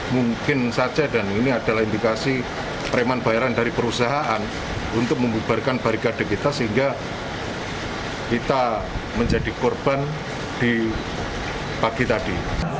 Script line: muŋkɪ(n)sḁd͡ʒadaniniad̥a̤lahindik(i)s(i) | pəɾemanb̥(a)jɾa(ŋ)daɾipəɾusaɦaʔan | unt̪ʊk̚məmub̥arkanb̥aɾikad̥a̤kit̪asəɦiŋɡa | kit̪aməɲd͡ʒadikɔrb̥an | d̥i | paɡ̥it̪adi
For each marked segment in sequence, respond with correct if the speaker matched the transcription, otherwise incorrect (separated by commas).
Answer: correct, incorrect, correct, correct, incorrect